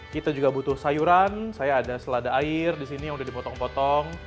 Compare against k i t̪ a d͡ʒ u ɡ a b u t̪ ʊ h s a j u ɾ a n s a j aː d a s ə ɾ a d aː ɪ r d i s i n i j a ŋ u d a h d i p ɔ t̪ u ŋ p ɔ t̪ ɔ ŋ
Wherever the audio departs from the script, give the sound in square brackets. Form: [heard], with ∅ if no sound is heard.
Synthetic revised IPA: k i t̪ a d͡ʒ u ɡ a b u t̪ ʊ h s a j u ɾ a n s a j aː d a s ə [l] a d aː ɪ r d i s i n i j a ŋ u d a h d i p ɔ t̪ [ɔ] ŋ p ɔ t̪ ɔ ŋ